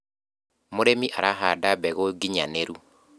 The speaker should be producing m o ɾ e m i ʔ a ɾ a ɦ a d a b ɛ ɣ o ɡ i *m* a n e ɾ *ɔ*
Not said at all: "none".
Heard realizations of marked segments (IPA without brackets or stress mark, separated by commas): ɲ, u